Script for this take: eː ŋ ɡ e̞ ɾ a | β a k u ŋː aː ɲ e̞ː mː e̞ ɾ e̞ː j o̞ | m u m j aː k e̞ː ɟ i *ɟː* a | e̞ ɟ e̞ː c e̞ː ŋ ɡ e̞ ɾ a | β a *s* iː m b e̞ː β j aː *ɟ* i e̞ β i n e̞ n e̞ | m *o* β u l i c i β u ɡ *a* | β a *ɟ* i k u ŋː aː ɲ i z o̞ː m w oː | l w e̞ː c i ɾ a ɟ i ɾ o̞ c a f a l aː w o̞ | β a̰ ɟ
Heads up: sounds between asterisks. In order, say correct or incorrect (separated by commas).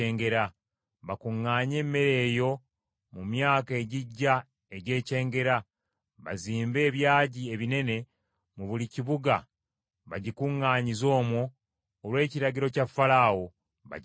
correct, incorrect, correct, incorrect, correct, correct